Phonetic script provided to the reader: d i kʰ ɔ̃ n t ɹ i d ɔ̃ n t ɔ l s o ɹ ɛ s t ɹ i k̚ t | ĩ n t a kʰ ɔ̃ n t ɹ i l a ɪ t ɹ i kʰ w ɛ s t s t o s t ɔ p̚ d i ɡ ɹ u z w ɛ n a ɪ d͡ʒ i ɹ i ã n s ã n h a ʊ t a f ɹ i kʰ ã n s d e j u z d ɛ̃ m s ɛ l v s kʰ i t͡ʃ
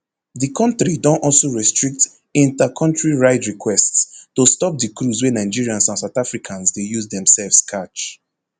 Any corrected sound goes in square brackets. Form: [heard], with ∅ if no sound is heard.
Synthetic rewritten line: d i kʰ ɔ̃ n t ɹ i d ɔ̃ n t ɔ l s o ɹ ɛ s t ɹ i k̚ t | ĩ n t a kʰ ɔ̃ n t ɹ i [ɹ] a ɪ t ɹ i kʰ w ɛ s t s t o s t ɔ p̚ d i [k] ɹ u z w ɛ n a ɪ d͡ʒ i ɹ i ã n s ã n [s] a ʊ t a f ɹ i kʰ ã n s d e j u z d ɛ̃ m s ɛ l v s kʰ [a] t͡ʃ